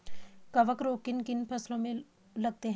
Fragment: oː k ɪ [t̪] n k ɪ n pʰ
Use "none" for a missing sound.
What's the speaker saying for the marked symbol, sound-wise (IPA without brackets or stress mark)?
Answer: none